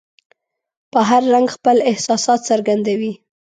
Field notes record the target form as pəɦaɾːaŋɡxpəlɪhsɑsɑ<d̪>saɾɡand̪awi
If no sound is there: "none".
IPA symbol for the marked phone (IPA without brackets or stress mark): t̪